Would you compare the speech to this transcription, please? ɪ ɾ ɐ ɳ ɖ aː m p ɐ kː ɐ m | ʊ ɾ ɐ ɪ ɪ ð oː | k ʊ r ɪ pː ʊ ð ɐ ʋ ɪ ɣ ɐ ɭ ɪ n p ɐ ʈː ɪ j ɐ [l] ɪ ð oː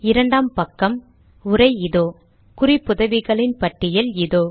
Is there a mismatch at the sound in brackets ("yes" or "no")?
no